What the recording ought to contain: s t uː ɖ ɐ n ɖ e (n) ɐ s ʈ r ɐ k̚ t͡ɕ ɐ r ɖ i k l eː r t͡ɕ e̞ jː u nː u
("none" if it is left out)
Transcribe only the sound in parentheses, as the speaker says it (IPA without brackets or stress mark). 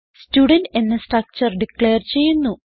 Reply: nː